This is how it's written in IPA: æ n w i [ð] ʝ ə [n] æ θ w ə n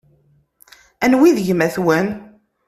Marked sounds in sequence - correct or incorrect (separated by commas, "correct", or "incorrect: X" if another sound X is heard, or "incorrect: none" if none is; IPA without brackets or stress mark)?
correct, incorrect: m